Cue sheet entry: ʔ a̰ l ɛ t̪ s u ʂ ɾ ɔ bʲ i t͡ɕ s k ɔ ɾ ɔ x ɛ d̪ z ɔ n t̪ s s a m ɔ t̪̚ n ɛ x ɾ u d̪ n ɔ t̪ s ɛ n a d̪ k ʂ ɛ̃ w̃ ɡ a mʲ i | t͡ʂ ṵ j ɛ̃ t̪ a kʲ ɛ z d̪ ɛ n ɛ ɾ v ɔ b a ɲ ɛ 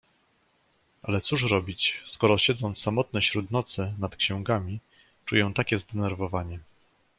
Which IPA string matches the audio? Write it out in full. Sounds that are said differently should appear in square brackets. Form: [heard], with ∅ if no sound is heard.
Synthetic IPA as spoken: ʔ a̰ l ɛ t̪ s u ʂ ɾ ɔ bʲ i t͡ɕ s k ɔ ɾ ɔ [ɕ] ɛ d̪ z ɔ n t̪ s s a m ɔ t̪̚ n ɛ [ɕ] ɾ u d̪ n ɔ t̪ s ɛ n a [t̪] k [ɕ] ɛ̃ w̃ ɡ a mʲ i | t͡ʂ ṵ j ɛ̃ t̪ a kʲ ɛ z d̪ ɛ n ɛ ɾ v ɔ [v] a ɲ ɛ